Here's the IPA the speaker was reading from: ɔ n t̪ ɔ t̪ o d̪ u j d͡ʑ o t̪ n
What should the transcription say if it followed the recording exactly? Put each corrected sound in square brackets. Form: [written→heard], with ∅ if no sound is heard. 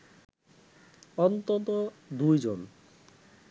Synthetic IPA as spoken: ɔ n t̪ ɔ t̪ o d̪ u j d͡ʑ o [t̪→∅] n